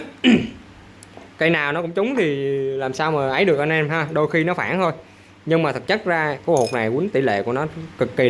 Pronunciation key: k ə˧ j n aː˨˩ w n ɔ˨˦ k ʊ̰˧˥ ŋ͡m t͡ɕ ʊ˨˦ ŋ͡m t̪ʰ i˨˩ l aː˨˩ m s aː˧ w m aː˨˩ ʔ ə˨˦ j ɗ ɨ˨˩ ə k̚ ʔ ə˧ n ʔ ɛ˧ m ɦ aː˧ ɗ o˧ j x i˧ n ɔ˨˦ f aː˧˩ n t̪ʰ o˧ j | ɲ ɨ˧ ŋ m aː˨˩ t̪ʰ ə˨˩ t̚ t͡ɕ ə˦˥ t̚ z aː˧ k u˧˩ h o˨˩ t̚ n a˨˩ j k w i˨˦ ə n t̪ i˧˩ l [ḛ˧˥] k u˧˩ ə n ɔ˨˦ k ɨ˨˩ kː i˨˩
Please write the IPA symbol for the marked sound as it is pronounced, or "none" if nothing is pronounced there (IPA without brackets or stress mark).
ḛ˧˨